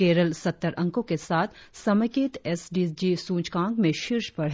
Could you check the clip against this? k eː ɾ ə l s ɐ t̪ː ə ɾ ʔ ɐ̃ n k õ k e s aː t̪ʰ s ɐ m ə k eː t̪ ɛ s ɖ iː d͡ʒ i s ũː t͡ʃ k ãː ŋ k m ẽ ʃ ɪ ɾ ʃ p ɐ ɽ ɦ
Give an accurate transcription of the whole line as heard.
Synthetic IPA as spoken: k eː ɾ ə l s ɐ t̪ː ə ɾ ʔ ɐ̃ ŋ k õ k e s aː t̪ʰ s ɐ m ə k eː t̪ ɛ s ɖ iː d͡ʒ i s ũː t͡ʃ k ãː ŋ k m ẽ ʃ ɪ ɾ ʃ p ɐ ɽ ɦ